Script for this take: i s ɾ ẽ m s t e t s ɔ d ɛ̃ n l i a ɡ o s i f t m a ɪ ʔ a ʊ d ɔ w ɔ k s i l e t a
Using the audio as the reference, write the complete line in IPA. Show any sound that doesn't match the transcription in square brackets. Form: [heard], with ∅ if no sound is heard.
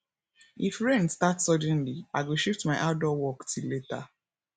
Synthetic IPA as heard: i [f] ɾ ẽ [n] s t [a] t s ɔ d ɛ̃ n l i a ɡ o [ʃ] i f t m a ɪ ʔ a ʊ d ɔ w ɔ k [t] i l e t a

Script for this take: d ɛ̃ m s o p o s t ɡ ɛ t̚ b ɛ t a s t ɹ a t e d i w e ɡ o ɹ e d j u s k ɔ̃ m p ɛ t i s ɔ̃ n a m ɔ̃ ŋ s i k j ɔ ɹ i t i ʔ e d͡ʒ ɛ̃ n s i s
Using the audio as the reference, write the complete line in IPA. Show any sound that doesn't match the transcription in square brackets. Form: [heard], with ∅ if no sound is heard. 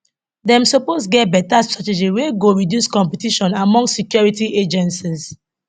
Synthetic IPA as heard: d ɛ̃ m s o p o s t ɡ ɛ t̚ b ɛ t a s t ɹ a t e [d͡ʒ] i w e ɡ o ɹ [i] d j u s k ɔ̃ m p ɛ t i [ʃ] ɔ̃ n a m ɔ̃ ŋ s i k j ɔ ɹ i t i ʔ e d͡ʒ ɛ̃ n s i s

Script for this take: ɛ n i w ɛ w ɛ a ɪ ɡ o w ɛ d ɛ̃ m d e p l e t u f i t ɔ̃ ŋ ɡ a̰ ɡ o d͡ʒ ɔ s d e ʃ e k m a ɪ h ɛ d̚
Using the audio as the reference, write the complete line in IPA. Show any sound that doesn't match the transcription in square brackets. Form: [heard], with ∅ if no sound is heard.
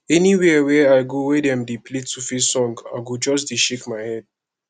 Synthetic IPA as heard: ɛ n i w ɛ w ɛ a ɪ ɡ o w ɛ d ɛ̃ m d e p l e t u f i [s] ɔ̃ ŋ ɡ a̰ ɡ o d͡ʒ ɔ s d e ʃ e k m a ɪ h ɛ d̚

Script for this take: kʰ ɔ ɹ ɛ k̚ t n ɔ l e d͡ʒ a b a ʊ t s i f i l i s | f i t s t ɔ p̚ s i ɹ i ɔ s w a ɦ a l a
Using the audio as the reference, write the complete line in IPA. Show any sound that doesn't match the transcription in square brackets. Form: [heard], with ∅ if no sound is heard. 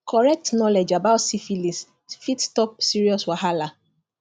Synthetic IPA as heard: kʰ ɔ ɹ ɛ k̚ t n ɔ l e d͡ʒ a b a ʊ t s i f i l i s | f i t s t ɔ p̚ s i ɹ i ɔ s w a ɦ a l a

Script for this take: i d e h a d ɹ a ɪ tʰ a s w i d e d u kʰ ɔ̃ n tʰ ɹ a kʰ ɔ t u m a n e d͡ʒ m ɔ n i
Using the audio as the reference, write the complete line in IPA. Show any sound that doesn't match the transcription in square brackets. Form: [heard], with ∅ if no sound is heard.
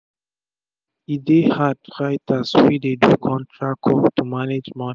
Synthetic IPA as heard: i d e h a d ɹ a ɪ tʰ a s w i d e d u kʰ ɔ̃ n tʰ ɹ a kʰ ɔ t u m a n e d͡ʒ m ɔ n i

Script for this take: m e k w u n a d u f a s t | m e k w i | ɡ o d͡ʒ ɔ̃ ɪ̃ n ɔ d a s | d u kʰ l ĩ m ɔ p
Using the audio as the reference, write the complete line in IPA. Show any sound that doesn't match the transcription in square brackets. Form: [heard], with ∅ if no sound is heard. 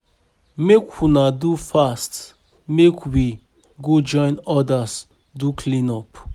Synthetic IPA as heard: m e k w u n a d u f a s t | m e k w i | ɡ o d͡ʒ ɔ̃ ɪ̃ n ɔ d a s | d u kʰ l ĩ [n] ɔ p

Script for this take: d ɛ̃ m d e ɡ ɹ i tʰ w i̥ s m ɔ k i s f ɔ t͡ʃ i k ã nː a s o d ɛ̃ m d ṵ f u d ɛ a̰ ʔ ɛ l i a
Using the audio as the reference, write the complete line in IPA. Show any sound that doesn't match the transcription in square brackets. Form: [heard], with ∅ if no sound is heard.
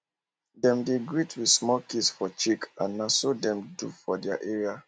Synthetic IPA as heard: d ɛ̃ m d e ɡ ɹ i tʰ w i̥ s m ɔ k i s f ɔ t͡ʃ i k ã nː a s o d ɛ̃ m d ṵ f [ɔ] d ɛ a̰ ʔ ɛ [ɹ] i a

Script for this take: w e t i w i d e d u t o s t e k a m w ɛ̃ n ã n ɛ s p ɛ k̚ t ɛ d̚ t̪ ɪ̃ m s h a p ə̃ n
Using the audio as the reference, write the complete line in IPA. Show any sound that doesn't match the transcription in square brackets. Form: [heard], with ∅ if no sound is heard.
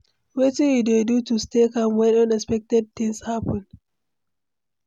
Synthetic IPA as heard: w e t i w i d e d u t [u] s t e k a m w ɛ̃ n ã n ɛ s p ɛ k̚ t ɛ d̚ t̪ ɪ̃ [ŋ] s h a p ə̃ n

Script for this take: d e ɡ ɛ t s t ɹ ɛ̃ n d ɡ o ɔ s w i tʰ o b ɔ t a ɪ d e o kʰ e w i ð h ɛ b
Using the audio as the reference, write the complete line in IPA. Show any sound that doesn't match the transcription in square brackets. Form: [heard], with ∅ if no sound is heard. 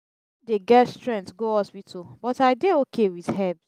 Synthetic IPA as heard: d e ɡ ɛ t s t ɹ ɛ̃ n [t] ɡ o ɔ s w i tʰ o b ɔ t a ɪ d e o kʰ e w i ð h ɛ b

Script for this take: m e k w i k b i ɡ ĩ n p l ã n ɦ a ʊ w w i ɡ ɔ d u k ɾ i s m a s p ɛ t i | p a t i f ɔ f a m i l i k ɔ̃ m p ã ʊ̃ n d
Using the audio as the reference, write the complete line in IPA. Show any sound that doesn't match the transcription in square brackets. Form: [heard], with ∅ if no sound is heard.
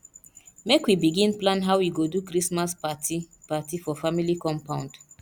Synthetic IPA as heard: m e k w i [∅] b i ɡ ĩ n p l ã n ɦ a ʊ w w i ɡ [o] d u k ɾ i s m a s p [a] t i | p a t i f ɔ f a m i l i k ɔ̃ m p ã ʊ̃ n d

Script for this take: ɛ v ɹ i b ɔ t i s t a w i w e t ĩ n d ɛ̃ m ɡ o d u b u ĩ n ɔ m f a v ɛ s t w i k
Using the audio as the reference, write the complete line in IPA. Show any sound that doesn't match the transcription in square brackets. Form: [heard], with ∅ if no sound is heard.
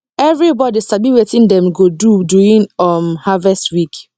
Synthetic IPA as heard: ɛ v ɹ i b ɔ [d] i s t a [b] i w e t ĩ n d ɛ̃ m ɡ o d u [d] u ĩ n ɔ m [h] a v ɛ s t w i k

